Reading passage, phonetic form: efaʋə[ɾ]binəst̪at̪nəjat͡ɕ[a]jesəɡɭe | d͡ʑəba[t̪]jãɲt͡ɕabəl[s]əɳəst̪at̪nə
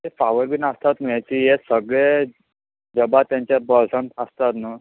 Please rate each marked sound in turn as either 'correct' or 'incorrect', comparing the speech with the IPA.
correct, incorrect: i, correct, correct

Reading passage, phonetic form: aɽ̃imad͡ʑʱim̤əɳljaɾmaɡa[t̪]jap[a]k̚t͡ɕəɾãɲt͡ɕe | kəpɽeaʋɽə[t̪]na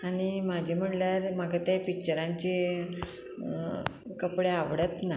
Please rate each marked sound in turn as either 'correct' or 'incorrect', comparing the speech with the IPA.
correct, incorrect: i, correct

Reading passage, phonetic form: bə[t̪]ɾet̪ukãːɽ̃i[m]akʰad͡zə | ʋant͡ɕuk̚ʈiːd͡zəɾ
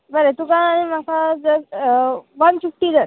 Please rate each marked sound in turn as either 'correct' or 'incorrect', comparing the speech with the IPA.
incorrect: none, correct

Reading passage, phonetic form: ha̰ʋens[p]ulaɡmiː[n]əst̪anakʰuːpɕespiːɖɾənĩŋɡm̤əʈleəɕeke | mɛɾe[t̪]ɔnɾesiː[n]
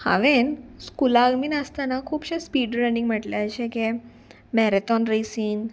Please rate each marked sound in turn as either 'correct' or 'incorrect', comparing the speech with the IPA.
incorrect: k, correct, correct, correct

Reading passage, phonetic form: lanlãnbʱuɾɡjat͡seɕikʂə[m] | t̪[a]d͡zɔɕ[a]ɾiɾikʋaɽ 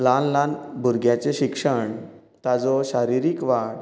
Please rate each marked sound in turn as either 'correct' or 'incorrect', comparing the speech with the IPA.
incorrect: ɳ, correct, correct

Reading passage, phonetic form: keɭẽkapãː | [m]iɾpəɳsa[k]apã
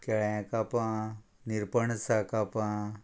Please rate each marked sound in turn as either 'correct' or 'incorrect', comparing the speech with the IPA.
incorrect: n, correct

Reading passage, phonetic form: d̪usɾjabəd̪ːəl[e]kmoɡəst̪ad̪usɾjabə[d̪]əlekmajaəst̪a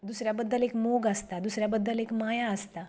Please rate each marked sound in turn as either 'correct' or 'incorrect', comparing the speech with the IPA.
correct, incorrect: d̪ː

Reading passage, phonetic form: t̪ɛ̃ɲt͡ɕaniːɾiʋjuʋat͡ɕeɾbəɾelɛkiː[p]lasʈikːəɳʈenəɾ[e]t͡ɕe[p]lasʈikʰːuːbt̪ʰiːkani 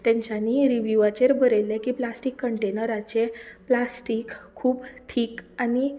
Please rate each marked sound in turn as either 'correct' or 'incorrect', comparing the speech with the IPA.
correct, incorrect: a, correct

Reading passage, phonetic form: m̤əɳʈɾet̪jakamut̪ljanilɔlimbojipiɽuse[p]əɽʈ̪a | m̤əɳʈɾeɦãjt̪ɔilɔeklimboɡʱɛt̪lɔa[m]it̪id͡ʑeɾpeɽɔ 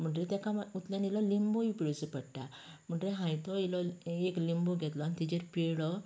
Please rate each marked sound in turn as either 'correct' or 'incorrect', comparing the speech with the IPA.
correct, incorrect: n

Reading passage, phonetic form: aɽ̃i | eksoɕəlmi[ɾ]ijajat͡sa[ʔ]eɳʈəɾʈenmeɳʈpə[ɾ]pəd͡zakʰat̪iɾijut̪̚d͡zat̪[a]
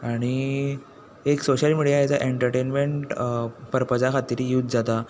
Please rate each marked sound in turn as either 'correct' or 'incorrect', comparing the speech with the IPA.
incorrect: ɽ, correct, correct, correct

